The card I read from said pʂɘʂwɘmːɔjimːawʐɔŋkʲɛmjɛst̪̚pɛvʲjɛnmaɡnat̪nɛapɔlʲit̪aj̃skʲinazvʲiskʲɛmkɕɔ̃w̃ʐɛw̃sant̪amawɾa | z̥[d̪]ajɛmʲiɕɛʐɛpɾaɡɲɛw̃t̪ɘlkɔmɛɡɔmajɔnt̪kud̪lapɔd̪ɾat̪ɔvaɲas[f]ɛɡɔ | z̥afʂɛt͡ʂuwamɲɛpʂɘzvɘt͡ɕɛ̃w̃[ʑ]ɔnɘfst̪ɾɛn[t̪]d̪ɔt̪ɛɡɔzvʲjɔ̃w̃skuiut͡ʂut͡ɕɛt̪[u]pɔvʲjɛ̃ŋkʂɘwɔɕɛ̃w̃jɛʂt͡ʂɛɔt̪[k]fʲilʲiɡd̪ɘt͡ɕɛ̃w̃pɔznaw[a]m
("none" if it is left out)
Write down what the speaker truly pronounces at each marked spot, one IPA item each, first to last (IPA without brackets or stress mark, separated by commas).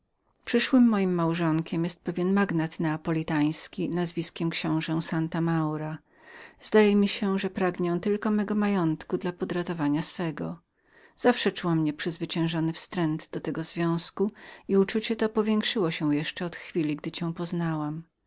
d̪, f, ʐ, d̪, ɔ, x, a